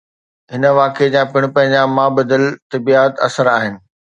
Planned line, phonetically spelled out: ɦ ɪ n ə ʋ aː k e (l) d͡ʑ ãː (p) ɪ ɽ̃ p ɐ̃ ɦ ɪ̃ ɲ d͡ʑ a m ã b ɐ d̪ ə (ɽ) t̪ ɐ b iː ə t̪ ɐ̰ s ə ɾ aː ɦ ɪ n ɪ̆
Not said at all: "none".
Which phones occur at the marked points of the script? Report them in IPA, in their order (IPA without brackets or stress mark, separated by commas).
none, p, l